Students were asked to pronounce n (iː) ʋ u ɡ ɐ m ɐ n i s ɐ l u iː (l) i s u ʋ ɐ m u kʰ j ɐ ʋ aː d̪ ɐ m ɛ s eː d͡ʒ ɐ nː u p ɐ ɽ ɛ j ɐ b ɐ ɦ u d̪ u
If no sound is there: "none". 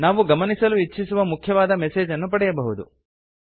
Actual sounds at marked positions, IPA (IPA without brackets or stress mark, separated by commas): aː, none